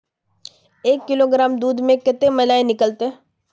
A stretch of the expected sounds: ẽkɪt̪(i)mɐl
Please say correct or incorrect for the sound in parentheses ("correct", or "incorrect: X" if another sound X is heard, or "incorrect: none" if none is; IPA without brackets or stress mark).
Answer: incorrect: e